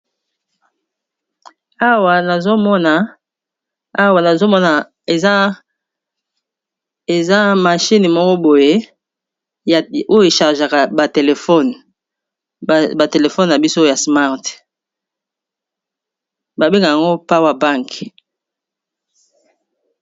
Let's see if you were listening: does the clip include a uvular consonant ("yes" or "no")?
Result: yes